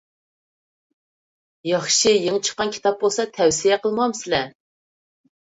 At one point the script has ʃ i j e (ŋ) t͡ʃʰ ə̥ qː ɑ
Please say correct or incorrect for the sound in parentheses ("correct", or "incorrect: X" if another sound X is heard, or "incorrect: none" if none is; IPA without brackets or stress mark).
correct